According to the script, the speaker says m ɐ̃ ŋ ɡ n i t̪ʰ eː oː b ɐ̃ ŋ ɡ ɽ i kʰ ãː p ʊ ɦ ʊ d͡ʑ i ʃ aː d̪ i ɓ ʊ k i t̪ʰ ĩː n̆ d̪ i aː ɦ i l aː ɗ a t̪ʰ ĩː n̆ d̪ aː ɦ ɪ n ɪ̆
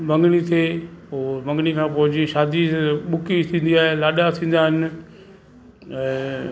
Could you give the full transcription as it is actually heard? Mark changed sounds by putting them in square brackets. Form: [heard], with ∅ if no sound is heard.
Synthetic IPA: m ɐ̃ ŋ ɡ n i t̪ʰ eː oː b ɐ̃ ŋ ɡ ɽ i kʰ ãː p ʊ ɦ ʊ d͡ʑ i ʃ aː d̪ i ɓ ʊ k i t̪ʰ ĩː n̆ d̪ i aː ɦ [e] l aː ɗ a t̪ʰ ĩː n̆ d̪ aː ɦ ɪ n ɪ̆